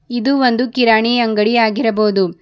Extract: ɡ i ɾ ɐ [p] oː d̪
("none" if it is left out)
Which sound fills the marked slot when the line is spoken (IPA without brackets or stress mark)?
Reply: b